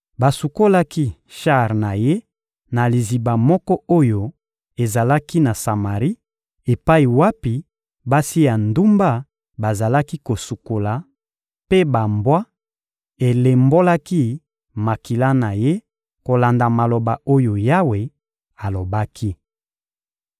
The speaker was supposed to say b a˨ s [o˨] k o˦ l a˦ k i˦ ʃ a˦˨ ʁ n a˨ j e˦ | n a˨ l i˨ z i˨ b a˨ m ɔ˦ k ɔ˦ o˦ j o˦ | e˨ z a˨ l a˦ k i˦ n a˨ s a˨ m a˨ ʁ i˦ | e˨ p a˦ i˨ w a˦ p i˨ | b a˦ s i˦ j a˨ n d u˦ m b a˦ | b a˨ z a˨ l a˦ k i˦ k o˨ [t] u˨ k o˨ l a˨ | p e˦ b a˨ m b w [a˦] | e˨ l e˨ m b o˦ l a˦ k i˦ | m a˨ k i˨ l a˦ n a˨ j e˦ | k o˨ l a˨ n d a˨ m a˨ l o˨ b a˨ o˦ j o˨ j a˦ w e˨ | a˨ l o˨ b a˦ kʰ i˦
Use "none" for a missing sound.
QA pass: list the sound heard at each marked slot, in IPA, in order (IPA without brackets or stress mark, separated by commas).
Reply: u˨, s, a˦